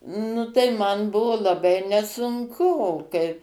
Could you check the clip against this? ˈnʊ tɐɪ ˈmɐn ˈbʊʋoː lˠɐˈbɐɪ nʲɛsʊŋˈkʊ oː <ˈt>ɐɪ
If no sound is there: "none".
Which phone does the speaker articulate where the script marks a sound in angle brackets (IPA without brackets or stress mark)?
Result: k